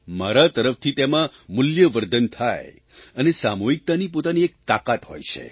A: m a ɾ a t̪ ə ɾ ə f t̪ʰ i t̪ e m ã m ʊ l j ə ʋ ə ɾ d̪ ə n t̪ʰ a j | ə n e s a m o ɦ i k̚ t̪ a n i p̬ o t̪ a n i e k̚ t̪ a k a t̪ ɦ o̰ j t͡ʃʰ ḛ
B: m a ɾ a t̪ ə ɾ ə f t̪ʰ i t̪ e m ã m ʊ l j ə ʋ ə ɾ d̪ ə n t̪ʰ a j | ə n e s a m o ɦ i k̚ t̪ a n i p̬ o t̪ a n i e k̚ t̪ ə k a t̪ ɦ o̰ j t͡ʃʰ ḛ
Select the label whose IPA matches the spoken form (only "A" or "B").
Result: A